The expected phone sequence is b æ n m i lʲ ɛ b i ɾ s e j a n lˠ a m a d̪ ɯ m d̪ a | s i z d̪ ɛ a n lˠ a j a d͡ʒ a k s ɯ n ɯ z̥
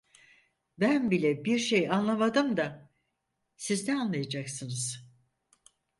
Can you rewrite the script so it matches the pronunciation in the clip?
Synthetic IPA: b æ n b i lʲ ɛ b i ɾ ʃ e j a n lˠ a m a d̪ ɯ m d̪ a | s i z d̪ ɛ a n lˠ a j a d͡ʒ a k s ɯ n ɯ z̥